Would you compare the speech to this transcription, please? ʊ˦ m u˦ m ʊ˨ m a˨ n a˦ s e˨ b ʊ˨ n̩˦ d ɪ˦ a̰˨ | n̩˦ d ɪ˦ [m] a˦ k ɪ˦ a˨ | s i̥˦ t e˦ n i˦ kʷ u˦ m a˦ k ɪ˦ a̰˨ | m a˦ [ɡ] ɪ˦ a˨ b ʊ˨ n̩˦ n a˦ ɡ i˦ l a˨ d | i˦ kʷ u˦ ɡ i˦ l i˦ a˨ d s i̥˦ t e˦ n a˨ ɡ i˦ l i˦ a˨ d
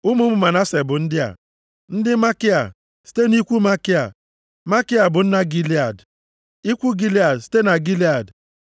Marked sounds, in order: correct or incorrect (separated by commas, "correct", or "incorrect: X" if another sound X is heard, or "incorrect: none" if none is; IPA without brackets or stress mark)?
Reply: correct, incorrect: k